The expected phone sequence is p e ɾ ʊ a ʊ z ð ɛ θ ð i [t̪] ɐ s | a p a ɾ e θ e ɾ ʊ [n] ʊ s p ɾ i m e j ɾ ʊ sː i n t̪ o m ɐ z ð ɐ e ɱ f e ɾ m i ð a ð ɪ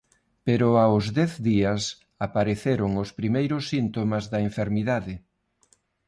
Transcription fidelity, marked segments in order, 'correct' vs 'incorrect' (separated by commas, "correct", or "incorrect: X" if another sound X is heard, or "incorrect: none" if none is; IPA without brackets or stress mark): incorrect: none, incorrect: ŋ